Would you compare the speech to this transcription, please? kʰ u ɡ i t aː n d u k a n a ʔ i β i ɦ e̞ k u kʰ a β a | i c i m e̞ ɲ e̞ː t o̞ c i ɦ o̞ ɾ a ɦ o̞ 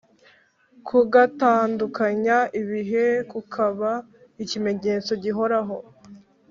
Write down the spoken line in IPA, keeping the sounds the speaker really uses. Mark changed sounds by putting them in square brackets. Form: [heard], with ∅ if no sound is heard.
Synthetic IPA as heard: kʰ u ɡ [a] t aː n d u k a [ɲ] a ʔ i β i ɦ e̞ k u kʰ a β a | i c i m e̞ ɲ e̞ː [t͡s] o̞ [ɟ] i ɦ o̞ ɾ a ɦ o̞